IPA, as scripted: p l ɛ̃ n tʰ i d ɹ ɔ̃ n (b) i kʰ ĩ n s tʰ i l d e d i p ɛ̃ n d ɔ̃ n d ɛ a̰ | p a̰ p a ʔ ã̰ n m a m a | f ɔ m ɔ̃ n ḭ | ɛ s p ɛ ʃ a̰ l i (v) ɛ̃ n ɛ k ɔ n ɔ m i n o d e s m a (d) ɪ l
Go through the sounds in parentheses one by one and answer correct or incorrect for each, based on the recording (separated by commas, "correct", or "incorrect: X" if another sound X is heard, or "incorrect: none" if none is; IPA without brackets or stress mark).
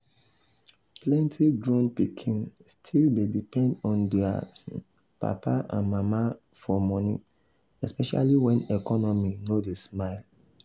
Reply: incorrect: p, incorrect: w, incorrect: none